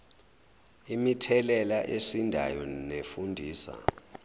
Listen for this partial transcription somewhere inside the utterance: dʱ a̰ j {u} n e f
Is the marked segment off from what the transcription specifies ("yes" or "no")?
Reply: yes